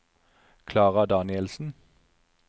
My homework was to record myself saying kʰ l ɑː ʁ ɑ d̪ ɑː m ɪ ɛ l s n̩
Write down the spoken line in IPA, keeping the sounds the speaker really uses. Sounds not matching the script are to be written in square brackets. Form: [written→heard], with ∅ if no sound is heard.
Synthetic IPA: kʰ l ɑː ʁ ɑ d̪ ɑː [m→n] ɪ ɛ l s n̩